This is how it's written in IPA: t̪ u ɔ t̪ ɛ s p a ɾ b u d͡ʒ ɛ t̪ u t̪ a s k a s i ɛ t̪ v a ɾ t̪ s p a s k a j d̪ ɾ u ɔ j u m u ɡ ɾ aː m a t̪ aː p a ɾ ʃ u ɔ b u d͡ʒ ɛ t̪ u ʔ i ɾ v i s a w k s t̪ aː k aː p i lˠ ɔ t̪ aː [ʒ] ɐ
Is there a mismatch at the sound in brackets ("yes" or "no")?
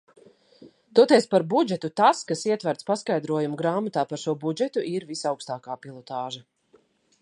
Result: no